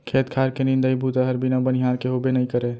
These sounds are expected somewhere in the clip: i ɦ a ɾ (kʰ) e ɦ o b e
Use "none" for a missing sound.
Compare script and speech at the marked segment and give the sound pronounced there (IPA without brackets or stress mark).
k